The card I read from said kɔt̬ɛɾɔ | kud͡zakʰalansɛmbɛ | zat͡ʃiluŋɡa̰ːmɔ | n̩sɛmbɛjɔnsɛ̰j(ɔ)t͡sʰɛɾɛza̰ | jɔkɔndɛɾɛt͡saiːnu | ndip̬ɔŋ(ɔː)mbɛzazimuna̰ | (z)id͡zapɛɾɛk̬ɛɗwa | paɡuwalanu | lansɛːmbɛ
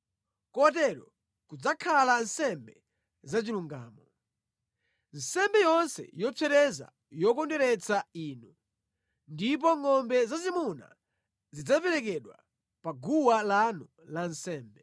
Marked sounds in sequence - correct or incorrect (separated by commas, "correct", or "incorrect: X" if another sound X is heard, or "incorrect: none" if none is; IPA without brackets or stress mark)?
correct, incorrect: ɔ, correct